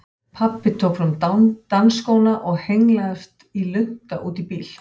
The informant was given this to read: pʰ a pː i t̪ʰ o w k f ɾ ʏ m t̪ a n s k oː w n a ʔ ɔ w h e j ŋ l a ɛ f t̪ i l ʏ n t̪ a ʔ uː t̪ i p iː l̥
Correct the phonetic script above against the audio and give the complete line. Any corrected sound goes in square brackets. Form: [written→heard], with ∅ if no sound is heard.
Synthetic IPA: pʰ a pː [i→ɪ] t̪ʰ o w k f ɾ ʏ m t̪ a n s k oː w n a ʔ ɔ [w→ɣ] h e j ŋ l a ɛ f t̪ i l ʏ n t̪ a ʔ uː t̪ i p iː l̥